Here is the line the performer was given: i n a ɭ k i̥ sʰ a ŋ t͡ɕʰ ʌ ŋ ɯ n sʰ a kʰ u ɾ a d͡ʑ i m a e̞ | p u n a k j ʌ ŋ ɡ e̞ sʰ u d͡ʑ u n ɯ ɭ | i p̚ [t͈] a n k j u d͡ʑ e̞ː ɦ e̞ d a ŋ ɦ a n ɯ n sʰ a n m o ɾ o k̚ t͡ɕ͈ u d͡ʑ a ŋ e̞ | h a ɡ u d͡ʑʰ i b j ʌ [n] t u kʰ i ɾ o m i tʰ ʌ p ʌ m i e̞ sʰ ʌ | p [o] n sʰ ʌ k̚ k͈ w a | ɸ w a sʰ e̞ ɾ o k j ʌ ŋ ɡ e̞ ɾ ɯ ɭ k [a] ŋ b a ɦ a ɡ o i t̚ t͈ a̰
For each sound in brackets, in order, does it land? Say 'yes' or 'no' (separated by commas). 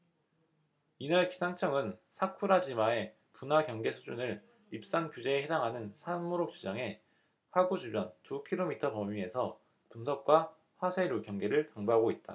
no, yes, no, yes